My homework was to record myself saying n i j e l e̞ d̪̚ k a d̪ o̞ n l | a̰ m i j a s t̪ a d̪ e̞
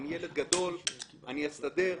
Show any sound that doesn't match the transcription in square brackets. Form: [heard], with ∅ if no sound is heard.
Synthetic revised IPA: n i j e l e̞ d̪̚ [ɡ] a d̪ o̞ [∅] l | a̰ [n] i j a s t̪ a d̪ e̞

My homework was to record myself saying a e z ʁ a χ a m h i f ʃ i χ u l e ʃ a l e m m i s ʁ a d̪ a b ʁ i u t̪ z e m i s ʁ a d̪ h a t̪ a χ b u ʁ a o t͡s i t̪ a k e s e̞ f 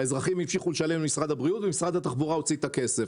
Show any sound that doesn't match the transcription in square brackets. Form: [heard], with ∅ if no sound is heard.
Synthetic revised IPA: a e z ʁ a χ [i] m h i f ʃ i χ u l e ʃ a l e m m i s ʁ a d̪ a b ʁ i u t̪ [v] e m i s ʁ a d̪ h a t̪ a χ b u ʁ a o t͡s i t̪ a k e s e̞ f

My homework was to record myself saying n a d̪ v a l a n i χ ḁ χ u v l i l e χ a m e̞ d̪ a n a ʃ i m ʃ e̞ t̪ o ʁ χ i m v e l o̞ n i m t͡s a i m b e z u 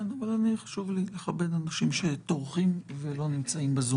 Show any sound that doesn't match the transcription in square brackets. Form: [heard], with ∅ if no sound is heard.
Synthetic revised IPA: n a [∅] v a l a n i χ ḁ [ʃ] u v l i l e χ a [b] e̞ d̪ a n a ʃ i m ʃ e̞ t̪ o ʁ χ i m v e l o̞ n i m t͡s a i m b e z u

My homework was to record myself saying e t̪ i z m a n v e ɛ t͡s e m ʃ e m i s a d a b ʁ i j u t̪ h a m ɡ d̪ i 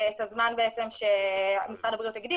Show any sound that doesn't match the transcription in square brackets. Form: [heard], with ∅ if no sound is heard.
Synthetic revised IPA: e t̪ [a] z m a n [b] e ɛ t͡s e m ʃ e m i s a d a b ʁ i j u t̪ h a [∅] ɡ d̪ i

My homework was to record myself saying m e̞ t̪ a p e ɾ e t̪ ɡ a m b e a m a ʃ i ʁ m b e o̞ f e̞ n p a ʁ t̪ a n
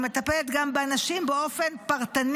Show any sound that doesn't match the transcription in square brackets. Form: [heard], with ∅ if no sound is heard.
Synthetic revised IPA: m e̞ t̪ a p e [l] e t̪ ɡ a m b e a [n] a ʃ i [∅] m b e o̞ f e̞ n p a ʁ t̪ a n

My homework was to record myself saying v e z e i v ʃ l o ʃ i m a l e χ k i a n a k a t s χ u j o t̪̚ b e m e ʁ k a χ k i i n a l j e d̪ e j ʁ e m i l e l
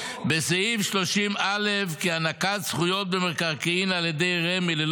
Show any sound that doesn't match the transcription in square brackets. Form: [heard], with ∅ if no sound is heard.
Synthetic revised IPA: [b] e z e i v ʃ l o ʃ i m a l e [f] k i a n a k a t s χ u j o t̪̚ b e m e ʁ k a [ʁ] k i i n a l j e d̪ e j ʁ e m i l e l

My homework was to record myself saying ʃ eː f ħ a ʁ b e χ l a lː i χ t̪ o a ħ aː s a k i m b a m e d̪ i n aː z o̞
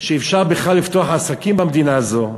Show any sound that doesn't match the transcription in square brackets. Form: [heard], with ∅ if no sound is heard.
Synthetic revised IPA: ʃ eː f [ʃ] a ʁ b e χ l a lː i [f] t̪ o a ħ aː s a k i m b a m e d̪ i n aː z o̞

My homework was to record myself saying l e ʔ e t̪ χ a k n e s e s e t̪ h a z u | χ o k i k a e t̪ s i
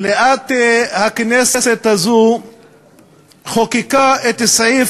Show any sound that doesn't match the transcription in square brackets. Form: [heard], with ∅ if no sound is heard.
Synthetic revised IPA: l e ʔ [a] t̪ [h] a k n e s e s e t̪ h a z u | χ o k i k a e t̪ s i

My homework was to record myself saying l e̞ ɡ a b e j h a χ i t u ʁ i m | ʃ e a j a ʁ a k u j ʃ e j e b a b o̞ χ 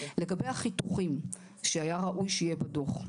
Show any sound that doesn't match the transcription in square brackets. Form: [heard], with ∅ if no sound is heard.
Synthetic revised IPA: l e̞ ɡ a b e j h a χ i t u [χ] i m | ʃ e a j a ʁ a [ʔ] u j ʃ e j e b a [d] o̞ χ

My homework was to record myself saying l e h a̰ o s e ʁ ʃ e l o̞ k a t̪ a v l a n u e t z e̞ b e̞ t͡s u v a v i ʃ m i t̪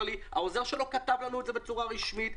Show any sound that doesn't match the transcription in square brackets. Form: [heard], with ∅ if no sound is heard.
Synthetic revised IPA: l [i] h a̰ o [z] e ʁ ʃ e l o̞ k a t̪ a v l a n u e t z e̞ b e̞ t͡s u [ʁ] a [ʁ] i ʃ m i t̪

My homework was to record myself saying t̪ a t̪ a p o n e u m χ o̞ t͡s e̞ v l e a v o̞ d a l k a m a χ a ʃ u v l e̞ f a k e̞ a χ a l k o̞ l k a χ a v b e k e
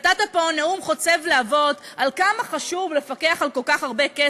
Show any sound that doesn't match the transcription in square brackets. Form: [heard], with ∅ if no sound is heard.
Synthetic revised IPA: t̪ a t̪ a p o n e u m χ o̞ t͡s e̞ v l e a v o̞ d a l k a m a χ a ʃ u v l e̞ f a k e̞ a χ a l k o̞ l k a χ a [ʁ] b e k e

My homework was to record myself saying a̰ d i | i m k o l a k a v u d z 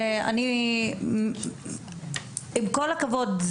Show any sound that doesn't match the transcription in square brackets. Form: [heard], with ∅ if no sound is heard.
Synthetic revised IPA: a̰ [n] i | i m k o l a k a v [o] d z

